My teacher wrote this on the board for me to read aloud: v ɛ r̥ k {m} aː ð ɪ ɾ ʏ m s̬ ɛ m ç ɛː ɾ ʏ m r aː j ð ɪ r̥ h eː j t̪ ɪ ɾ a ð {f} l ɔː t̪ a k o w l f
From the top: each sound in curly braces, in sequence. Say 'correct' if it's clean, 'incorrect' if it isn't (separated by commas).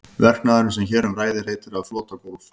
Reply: incorrect, correct